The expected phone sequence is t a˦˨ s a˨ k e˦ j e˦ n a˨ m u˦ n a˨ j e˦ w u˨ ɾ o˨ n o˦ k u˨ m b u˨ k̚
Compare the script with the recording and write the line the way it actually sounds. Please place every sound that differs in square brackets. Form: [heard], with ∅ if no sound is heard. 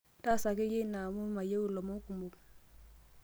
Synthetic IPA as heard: t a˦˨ s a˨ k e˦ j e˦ n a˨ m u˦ [m] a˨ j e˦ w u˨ [l] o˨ [m] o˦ k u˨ m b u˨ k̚

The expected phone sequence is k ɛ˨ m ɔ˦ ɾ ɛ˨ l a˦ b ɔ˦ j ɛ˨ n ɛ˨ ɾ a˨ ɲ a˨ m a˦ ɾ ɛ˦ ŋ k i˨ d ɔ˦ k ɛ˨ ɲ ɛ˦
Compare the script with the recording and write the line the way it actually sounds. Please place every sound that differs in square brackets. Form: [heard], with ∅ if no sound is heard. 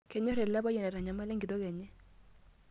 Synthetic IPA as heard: k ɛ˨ [ɲ] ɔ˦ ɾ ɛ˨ l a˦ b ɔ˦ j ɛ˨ n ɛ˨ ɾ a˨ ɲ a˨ m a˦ [l] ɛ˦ ŋ [ɡ] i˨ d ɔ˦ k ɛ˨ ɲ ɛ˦

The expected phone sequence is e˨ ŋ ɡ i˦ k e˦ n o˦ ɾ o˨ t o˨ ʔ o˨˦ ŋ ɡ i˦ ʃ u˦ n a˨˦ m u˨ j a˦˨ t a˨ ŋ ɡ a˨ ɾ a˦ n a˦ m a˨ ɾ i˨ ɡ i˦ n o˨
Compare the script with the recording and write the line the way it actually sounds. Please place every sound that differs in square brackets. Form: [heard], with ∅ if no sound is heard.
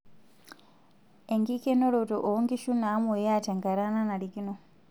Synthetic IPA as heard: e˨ ŋ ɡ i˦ k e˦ n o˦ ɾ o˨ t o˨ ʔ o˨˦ ŋ ɡ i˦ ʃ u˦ n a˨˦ m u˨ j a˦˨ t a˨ ŋ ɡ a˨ ɾ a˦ n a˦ [n] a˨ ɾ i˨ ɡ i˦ n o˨

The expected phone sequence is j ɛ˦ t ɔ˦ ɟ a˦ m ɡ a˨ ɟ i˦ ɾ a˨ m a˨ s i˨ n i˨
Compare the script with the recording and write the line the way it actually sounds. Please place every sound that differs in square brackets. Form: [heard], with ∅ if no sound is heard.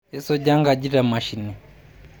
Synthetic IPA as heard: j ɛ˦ [s] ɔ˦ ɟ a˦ [ŋ] ɡ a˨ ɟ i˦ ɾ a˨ m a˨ [ʃ] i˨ n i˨

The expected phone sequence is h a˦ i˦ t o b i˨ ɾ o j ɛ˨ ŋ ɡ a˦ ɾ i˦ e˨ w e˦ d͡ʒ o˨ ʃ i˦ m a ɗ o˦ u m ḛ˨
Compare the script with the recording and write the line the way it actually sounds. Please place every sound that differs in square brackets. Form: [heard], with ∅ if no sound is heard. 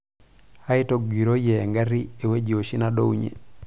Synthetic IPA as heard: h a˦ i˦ t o [ɡ] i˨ ɾ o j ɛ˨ ŋ ɡ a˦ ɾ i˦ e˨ w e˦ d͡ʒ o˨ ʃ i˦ [n] a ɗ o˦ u [ɲ] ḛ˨

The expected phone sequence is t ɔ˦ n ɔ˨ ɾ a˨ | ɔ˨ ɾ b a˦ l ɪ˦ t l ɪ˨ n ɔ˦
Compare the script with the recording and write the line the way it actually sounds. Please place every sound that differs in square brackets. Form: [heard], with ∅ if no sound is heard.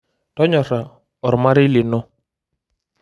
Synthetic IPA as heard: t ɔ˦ [ɲ] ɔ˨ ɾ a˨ | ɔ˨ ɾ [m] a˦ [ɾ] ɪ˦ [∅] l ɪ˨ n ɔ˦

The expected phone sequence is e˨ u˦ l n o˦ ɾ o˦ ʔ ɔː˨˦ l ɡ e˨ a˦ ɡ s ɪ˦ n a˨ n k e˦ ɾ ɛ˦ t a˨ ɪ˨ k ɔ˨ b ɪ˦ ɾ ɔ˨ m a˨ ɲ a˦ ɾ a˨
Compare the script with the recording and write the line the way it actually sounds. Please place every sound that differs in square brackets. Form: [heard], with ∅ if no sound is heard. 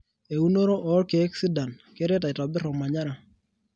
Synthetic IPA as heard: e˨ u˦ [∅] n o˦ ɾ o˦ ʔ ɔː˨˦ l [k] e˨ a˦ [k] s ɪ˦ [d] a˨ n k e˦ ɾ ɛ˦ t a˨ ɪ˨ [t] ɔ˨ b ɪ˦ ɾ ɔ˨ m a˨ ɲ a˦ ɾ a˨

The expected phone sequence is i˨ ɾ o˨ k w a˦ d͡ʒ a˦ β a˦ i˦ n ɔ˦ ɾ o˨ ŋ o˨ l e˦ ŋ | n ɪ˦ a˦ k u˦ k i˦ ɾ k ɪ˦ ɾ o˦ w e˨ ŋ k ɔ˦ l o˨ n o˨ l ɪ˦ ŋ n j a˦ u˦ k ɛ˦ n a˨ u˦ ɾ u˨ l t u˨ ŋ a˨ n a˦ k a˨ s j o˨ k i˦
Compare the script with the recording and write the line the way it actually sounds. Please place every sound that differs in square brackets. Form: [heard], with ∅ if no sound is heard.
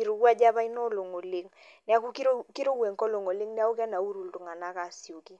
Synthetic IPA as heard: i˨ ɾ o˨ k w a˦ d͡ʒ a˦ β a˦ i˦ n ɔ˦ [l] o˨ ŋ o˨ l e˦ ŋ | n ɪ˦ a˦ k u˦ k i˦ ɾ k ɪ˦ ɾ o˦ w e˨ ŋ k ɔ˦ l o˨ [ŋ] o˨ l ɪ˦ ŋ n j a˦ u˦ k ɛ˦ n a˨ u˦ ɾ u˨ l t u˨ ŋ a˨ n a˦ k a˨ s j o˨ k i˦

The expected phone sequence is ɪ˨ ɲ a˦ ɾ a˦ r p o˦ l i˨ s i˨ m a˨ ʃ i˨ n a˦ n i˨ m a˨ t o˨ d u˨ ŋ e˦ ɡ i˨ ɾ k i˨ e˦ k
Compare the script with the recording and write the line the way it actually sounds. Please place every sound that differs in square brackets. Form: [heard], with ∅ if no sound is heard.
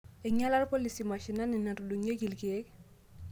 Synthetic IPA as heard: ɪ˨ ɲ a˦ [l] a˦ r p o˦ l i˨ s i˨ m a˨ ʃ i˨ n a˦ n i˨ [n] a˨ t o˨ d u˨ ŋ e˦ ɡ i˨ [l] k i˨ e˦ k

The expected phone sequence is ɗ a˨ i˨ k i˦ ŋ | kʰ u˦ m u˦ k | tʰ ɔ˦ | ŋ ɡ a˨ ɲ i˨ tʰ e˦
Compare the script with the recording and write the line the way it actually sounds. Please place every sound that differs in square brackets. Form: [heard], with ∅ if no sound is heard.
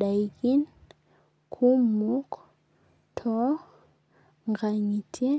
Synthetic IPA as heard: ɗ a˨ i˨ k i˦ [n] | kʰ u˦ m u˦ k | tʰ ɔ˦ | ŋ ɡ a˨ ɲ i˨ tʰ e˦

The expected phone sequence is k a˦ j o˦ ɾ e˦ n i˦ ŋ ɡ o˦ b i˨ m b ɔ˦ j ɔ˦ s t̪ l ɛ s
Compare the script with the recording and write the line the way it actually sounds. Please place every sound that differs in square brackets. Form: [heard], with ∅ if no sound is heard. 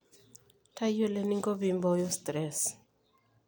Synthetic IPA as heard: [t] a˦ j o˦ [l] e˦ n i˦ ŋ ɡ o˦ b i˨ m b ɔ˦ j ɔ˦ s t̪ [ɾ] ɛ s

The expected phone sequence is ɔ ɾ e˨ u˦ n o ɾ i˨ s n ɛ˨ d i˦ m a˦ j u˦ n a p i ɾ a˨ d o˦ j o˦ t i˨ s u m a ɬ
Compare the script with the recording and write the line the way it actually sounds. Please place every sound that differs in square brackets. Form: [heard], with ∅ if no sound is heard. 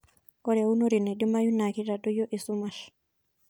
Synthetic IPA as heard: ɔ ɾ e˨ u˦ n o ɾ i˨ [∅] n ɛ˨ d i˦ m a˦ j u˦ n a [k] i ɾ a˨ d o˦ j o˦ [ʔ] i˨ s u m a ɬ

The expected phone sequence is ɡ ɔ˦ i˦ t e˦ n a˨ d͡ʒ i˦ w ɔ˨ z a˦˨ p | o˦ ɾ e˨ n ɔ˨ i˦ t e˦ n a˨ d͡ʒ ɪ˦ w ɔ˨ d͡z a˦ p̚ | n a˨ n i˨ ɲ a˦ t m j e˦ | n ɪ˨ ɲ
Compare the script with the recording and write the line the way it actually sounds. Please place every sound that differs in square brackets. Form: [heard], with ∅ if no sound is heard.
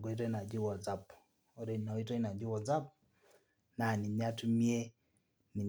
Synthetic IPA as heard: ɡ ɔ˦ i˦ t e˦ n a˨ d͡ʒ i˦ w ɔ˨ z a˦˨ p | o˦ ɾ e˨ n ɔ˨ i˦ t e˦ n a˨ d͡ʒ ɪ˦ w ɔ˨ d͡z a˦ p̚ | n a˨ n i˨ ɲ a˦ t m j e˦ | n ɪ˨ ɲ

